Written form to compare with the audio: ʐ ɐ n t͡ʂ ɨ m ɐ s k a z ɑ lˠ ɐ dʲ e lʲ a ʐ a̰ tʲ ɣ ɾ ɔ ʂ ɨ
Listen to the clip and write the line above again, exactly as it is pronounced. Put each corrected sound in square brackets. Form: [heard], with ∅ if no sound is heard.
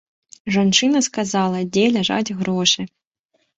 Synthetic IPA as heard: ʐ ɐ n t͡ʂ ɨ [n] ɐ s k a z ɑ lˠ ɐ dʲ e lʲ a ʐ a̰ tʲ ɣ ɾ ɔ ʂ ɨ